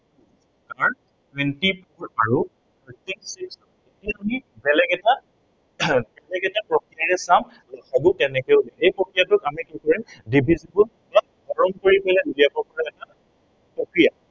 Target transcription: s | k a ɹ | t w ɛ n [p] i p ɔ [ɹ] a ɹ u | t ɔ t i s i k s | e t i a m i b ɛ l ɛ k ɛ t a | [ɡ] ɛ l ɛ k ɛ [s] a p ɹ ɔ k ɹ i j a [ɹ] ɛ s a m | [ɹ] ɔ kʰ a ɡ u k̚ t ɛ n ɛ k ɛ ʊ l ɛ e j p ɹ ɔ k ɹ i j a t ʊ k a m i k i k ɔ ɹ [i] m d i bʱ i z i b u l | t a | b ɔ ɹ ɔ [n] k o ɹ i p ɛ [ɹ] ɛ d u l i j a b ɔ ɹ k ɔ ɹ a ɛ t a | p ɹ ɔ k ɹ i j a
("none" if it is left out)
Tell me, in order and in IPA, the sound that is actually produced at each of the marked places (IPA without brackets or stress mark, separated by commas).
t, ɹ, b, t, ɹ, l, i, m, l